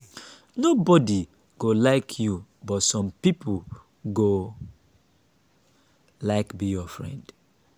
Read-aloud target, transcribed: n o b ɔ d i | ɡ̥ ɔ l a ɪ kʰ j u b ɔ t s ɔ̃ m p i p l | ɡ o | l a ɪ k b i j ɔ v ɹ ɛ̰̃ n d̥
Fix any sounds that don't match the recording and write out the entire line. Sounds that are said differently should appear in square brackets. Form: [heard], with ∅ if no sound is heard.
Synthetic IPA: n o b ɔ d i | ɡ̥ [o] l a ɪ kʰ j u b ɔ t s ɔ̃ m p i p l | ɡ o | l a ɪ k b i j ɔ [f] ɹ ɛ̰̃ n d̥